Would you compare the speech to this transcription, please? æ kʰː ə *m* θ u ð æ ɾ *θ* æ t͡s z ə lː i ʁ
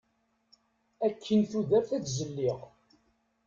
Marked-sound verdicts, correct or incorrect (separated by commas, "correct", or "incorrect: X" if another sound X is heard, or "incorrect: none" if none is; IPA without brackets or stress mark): incorrect: n, correct